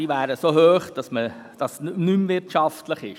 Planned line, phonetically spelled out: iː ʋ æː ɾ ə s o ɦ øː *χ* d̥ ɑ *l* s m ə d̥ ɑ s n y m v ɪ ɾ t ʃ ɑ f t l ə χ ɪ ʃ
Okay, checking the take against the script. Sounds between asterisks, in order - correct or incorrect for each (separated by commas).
correct, incorrect